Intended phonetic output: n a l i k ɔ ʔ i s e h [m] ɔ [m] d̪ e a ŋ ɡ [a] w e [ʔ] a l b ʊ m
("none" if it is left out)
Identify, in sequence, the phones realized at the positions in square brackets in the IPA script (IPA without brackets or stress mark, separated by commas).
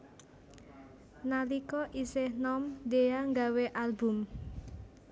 n, m, a, ʔ